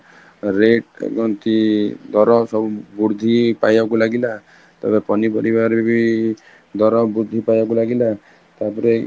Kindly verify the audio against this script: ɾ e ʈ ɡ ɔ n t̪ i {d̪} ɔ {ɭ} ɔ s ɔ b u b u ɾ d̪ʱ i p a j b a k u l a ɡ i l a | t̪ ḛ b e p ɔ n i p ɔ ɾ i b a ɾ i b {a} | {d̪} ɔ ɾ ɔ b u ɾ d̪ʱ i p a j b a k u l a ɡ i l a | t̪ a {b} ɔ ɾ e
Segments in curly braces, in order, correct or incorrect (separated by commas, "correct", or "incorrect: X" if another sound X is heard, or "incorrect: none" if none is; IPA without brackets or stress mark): correct, incorrect: ɾ, incorrect: i, correct, incorrect: p